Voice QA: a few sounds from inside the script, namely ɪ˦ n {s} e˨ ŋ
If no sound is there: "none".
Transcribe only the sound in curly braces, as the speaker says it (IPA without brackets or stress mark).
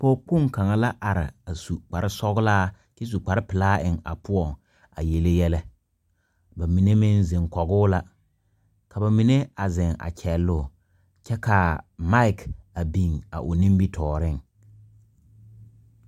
z